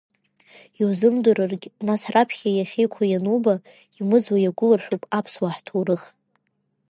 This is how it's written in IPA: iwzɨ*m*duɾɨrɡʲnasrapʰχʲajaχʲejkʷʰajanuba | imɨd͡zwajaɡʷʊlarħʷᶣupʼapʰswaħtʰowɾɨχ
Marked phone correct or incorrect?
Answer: correct